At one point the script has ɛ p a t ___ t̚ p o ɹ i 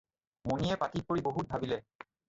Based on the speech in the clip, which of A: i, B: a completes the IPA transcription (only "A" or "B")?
A